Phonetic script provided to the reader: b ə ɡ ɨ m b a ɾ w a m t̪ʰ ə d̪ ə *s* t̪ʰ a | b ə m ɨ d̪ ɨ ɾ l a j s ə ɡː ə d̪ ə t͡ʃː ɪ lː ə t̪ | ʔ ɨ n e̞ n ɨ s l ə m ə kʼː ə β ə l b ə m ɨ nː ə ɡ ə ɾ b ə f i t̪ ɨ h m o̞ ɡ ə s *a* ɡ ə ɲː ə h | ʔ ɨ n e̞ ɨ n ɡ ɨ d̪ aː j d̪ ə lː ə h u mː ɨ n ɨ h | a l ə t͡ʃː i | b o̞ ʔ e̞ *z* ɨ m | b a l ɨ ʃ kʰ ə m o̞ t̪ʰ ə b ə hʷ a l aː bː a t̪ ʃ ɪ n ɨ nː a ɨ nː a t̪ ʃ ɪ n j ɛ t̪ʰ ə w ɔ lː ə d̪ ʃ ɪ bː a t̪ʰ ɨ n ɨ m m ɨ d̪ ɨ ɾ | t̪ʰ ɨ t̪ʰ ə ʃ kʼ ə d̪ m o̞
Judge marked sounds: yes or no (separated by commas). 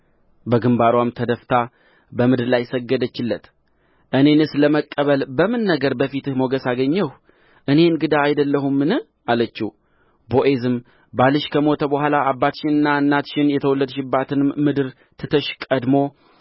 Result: no, yes, yes